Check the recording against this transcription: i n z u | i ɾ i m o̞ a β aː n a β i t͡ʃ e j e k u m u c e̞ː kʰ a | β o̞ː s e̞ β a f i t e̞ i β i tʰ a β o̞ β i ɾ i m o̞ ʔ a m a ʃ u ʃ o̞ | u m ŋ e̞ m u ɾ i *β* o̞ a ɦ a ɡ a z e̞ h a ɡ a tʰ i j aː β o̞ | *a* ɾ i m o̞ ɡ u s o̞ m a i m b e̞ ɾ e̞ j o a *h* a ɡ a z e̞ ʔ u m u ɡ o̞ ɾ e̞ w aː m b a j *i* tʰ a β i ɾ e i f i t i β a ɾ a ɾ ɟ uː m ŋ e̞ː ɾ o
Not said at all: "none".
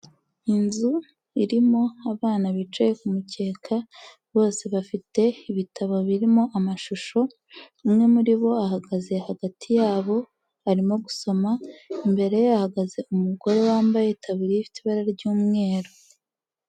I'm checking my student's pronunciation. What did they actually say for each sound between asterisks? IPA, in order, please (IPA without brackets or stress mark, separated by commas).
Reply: β, a, h, e